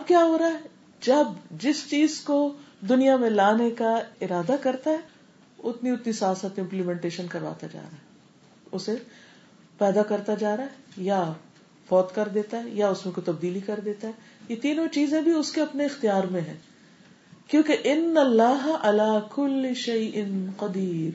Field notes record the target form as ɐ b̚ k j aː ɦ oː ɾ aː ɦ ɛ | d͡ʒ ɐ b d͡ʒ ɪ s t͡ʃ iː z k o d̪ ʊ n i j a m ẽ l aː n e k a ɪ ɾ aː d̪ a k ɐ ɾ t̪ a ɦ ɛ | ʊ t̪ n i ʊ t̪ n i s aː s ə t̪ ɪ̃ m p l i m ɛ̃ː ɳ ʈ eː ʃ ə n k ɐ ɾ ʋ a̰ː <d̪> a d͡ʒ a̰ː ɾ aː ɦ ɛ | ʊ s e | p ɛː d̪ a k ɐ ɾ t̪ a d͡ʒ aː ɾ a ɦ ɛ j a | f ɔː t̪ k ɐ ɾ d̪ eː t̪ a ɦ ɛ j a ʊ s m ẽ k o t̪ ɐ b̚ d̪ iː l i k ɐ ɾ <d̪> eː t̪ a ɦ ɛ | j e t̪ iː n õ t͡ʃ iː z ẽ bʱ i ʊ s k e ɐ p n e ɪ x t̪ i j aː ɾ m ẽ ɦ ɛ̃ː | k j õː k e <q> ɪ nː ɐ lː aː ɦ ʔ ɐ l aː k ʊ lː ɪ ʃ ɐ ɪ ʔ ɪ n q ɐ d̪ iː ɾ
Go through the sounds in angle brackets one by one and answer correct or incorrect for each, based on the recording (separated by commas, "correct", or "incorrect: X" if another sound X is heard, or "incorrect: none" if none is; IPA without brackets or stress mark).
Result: incorrect: t̪, correct, incorrect: ʔ